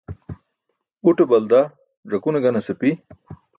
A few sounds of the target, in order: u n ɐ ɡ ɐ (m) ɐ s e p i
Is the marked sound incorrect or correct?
incorrect